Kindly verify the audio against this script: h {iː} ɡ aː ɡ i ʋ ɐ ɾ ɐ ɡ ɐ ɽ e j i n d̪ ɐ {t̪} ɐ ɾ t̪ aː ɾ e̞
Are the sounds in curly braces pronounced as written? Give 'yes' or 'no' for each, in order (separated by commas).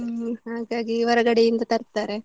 no, yes